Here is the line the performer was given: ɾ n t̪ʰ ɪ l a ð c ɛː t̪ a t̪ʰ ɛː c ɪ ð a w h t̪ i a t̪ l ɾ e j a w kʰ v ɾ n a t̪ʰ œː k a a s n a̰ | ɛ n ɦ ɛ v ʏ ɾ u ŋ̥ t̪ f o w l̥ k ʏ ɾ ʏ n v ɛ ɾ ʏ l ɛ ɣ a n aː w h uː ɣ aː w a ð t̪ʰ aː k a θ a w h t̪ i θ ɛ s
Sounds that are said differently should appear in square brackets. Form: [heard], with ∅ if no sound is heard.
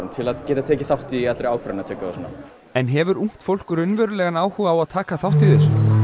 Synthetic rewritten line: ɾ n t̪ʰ ɪ l a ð c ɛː t̪ a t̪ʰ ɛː c ɪ [θ] a w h t̪ i a t̪ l ɾ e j a w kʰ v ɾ n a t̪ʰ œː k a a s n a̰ | ɛ n ɦ ɛ v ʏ ɾ u ŋ̥ t̪ f o w l̥ k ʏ ɾ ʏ n v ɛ ɾ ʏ l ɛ ɣ a n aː w h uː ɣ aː w a ð t̪ʰ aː k a θ a w h t̪ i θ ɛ s